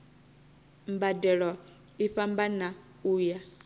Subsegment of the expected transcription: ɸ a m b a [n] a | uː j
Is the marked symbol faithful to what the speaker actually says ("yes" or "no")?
yes